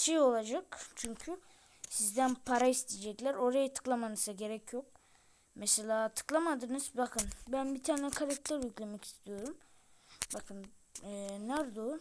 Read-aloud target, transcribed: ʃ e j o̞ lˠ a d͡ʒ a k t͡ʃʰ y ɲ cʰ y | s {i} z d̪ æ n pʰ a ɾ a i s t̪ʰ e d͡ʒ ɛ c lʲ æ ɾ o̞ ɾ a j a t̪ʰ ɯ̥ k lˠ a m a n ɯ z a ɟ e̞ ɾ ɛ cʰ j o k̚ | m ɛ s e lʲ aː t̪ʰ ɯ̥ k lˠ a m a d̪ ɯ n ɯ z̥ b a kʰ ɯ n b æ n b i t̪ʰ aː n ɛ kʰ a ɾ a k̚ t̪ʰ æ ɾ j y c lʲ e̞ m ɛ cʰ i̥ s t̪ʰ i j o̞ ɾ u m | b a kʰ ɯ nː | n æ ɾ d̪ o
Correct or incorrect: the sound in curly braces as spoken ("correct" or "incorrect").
correct